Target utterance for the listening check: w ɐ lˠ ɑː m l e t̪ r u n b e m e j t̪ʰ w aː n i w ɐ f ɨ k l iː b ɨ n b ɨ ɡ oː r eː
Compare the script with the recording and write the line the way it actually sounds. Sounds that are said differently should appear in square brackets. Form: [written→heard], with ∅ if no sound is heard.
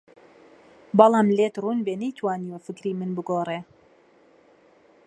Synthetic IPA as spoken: [w→b] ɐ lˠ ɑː m l e t̪ r u n b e [m→n] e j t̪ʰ w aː n i w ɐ f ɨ k [l→ɾ] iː [b→m] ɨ n b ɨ ɡ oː r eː